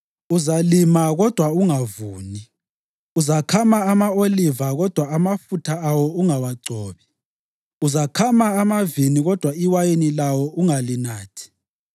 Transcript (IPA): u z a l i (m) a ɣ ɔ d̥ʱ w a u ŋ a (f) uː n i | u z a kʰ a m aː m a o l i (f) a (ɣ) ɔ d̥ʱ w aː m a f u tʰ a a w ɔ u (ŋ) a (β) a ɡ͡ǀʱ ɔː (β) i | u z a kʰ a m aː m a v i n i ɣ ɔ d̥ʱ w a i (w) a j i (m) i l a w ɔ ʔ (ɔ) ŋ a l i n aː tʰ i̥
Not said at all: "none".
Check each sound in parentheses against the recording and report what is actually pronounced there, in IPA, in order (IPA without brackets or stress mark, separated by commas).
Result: m, v, v, ɣ, ŋ, w, β, w, n, u